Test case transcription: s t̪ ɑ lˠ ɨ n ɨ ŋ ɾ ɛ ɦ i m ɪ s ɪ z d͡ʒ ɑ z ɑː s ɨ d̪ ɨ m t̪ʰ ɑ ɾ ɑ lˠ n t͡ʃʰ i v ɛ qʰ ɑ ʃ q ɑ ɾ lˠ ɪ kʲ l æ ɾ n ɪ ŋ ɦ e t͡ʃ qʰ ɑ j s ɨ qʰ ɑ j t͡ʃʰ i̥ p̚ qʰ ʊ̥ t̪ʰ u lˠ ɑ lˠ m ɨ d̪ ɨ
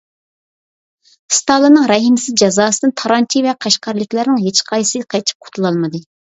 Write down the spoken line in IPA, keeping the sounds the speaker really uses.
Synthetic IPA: s t̪ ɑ lˠ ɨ n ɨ ŋ ɾ ɛ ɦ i m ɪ s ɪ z d͡ʒ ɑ z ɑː s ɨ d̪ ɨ n t̪ʰ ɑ ɾ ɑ n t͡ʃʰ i v ɛ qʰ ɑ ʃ q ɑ ɾ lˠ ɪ kʲ l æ ɾ n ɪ ŋ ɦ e t͡ʃ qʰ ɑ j s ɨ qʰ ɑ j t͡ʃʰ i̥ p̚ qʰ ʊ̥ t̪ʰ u lˠ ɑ lˠ m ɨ d̪ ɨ